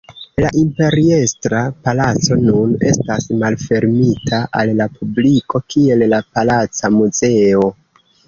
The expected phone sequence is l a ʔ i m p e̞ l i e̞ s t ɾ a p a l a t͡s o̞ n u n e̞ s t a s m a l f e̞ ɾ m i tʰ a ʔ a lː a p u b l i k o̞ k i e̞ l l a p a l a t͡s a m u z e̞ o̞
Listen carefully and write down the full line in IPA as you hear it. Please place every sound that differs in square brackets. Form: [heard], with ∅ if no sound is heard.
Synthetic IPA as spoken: l a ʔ i m p e̞ [ɾ] i e̞ s t ɾ a p a l a t͡s o̞ n u n e̞ s t a s m a l f e̞ ɾ m i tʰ a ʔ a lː a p u b l i k o̞ k i e̞ l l a p a l a t͡s a m u z e̞ o̞